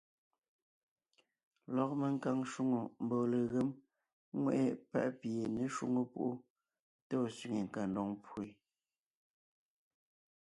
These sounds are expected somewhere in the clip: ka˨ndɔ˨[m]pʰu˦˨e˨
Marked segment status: incorrect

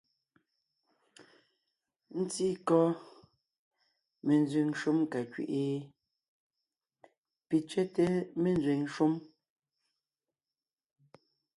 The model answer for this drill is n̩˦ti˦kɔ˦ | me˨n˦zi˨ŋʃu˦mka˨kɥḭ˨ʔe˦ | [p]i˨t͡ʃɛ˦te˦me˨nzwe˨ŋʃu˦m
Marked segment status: correct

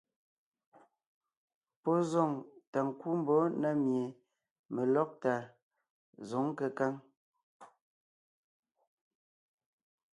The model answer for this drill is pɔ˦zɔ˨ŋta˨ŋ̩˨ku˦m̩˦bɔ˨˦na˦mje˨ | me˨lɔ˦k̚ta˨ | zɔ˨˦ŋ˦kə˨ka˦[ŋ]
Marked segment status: correct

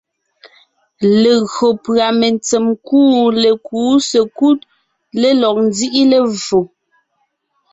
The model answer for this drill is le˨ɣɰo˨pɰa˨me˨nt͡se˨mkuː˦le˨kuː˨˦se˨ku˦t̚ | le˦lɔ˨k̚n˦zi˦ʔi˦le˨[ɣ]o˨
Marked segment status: incorrect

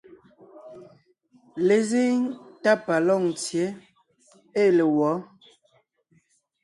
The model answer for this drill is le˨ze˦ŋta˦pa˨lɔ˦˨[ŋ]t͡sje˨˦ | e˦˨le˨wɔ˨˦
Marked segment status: correct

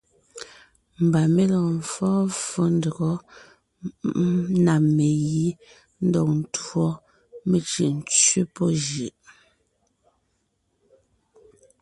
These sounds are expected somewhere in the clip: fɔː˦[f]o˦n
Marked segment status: correct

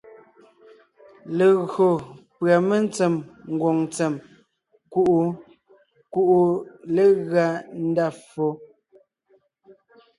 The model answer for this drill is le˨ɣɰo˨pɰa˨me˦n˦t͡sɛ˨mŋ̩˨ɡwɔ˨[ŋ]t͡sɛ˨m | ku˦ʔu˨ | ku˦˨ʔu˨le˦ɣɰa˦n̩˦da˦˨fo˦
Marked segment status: correct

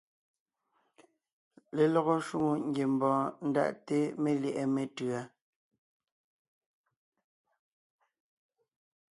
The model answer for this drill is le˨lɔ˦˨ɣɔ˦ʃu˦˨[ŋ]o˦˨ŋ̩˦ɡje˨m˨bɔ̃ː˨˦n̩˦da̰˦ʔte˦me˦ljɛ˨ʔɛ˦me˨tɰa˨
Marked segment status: correct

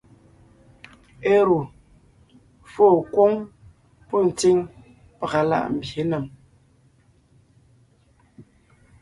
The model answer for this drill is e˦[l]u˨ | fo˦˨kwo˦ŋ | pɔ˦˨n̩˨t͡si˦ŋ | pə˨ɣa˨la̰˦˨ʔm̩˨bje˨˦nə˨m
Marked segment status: incorrect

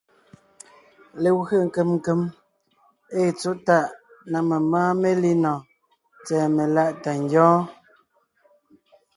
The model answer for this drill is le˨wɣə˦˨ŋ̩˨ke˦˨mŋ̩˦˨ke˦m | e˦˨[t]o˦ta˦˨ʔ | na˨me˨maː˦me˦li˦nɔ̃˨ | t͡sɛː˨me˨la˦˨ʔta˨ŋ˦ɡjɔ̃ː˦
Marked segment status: incorrect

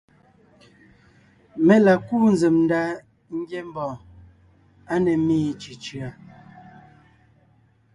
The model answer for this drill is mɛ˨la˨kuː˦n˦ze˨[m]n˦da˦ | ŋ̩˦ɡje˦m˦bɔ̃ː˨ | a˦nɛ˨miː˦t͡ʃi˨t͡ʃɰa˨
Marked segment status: correct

